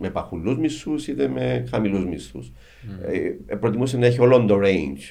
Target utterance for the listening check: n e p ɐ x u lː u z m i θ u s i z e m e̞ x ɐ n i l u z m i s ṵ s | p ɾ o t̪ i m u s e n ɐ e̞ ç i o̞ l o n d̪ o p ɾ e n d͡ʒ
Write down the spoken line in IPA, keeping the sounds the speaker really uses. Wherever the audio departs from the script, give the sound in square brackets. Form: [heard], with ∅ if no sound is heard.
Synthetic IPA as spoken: [m] e p ɐ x u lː u z m i [s] u s i [ð] e m e̞ x ɐ [m] i l u z m i s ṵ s | p ɾ o t̪ i m u s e n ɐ e̞ ç i o̞ l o n d̪ o [∅] ɾ e n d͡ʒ